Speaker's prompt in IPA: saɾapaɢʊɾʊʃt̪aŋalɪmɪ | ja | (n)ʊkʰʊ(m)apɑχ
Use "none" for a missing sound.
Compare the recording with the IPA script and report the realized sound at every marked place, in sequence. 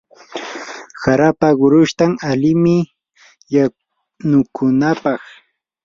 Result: n, n

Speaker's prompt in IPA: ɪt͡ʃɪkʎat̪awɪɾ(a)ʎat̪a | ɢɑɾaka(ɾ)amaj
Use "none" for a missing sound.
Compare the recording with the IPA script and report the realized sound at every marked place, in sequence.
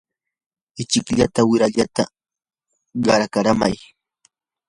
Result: a, ɾ

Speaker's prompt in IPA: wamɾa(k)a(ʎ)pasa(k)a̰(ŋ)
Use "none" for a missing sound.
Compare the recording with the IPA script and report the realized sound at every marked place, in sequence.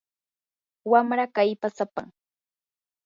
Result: k, j, p, ŋ

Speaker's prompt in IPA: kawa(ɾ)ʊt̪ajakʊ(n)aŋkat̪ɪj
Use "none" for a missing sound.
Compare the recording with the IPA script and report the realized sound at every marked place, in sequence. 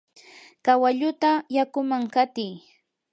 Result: ʎ, m

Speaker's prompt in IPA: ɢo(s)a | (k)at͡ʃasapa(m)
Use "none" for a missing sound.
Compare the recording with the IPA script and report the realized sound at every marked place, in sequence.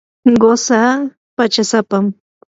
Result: s, p, m

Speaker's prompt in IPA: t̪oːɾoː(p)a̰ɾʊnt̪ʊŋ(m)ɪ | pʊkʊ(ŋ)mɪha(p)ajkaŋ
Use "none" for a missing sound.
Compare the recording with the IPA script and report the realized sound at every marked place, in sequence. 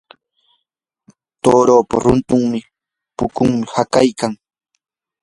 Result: p, m, ŋ, k

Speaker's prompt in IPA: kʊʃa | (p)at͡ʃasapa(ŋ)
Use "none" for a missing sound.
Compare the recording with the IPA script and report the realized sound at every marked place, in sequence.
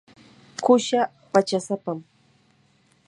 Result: p, m

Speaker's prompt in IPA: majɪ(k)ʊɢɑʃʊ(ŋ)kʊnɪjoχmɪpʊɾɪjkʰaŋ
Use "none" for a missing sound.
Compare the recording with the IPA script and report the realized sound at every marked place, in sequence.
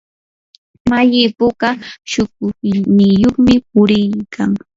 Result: p, none

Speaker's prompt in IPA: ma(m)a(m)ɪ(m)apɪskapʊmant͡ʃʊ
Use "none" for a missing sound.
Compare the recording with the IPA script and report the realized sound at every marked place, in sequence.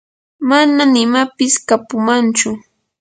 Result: n, n, m

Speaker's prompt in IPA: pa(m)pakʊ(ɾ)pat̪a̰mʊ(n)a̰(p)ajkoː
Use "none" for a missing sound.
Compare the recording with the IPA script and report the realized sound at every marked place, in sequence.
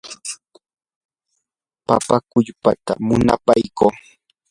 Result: none, ʎ, n, p

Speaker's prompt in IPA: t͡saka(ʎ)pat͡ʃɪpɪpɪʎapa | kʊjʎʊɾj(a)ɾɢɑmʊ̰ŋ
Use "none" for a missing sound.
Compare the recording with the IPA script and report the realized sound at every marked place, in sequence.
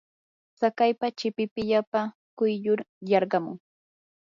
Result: j, ɑ

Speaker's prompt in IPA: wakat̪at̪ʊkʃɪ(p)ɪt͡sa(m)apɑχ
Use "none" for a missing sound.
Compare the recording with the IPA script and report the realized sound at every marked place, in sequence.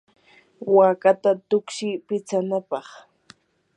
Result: p, n

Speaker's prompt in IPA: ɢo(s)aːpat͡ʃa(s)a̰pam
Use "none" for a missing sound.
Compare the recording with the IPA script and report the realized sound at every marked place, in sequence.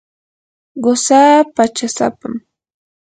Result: s, s

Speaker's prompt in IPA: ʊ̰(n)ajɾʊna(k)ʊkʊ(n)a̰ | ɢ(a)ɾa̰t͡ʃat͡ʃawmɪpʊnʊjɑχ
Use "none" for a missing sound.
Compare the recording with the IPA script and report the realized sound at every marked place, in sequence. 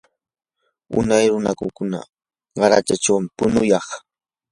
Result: n, k, n, ɑ

